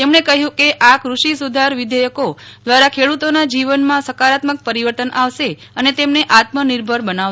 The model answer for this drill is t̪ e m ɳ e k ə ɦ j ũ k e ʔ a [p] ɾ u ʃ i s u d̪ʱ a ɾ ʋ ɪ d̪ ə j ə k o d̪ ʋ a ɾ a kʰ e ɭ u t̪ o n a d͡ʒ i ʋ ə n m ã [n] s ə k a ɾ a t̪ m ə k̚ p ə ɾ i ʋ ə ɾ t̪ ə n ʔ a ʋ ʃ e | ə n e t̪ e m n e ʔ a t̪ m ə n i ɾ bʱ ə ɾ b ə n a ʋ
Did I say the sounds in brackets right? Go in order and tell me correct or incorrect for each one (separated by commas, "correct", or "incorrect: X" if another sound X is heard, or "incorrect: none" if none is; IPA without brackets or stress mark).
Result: incorrect: k, incorrect: none